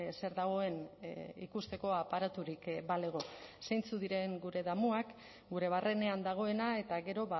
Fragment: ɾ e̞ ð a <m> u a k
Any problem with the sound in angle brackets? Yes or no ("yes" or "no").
no